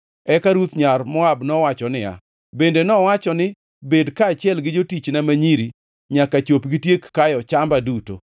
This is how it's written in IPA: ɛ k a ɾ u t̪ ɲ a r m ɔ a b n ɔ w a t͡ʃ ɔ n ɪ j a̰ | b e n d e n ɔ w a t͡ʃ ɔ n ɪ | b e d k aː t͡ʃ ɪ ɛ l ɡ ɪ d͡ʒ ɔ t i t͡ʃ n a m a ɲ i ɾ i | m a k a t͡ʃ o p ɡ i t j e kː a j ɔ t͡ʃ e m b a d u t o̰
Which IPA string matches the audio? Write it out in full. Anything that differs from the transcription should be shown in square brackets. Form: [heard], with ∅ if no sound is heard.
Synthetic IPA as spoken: ɛ k a ɾ u t̪ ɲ a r m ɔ a b n ɔ w a t͡ʃ ɔ n ɪ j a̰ | b e n d e n ɔ w a t͡ʃ ɔ n ɪ | b e d k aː t͡ʃ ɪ ɛ l ɡ ɪ d͡ʒ [o] t i t͡ʃ n a m a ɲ i ɾ i | [ɲ] a k a t͡ʃ o p ɡ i t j e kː a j ɔ t͡ʃ [a] m b a d u t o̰